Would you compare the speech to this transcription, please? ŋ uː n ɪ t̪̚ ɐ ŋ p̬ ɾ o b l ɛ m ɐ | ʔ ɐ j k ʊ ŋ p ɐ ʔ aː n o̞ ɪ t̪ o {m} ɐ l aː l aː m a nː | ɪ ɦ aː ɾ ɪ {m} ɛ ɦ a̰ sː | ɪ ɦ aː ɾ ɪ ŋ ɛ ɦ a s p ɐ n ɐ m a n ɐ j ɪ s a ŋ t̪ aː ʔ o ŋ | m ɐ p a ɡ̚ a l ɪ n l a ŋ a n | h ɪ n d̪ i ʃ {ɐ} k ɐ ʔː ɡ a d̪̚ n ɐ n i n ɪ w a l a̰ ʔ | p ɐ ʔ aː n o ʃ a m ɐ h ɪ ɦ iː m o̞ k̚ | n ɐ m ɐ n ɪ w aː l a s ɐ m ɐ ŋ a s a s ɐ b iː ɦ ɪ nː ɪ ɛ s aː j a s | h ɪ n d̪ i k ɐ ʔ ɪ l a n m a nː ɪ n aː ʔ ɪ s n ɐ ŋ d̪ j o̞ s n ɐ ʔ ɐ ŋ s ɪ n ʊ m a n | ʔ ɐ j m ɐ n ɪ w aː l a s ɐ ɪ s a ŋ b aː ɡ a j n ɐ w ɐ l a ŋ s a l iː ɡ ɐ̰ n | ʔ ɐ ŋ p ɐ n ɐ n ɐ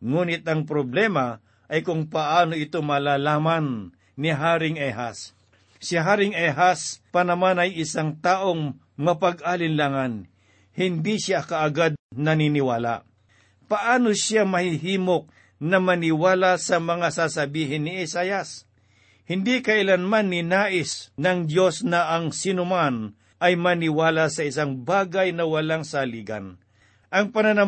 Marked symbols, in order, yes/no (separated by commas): yes, no, no